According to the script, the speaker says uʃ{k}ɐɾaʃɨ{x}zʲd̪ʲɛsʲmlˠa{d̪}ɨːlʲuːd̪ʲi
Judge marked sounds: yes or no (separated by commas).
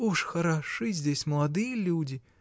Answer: no, no, yes